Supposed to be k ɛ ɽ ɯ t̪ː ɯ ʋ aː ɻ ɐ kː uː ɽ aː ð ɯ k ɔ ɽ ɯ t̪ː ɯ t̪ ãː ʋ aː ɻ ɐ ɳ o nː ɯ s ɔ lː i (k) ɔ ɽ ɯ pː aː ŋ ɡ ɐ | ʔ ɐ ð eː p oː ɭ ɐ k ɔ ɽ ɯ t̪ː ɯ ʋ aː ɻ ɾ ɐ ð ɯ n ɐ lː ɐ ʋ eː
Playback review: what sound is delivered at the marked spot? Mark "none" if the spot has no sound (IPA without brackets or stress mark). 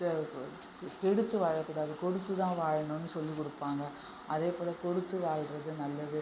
k